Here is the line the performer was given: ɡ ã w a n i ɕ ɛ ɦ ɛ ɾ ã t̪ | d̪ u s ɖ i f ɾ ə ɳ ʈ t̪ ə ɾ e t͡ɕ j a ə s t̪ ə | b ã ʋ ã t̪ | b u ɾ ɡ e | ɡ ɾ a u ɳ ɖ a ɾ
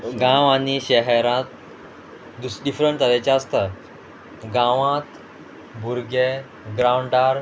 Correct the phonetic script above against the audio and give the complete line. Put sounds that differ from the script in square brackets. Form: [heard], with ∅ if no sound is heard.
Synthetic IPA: ɡ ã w a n i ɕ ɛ ɦ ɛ ɾ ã t̪ | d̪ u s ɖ i f ɾ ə ɳ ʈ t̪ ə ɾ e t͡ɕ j a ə s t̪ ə | [ɡ] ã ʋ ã t̪ | b u ɾ ɡ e | ɡ ɾ a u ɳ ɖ a ɾ

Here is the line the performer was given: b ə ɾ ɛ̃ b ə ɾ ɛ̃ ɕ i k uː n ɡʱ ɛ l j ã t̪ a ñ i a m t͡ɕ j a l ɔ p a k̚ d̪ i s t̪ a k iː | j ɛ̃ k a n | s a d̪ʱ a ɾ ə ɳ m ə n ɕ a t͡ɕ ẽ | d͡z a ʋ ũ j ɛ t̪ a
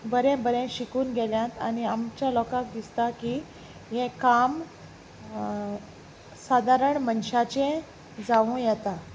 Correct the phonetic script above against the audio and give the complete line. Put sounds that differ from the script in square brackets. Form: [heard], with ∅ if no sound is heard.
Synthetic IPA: b ə ɾ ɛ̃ b ə ɾ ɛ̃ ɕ i k uː n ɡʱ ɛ l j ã t̪ a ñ i a m t͡ɕ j a l ɔ [k] a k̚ d̪ i s t̪ a k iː | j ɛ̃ k a [m] | s a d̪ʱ a ɾ ə ɳ m ə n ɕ a t͡ɕ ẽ | d͡z a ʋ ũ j ɛ t̪ a

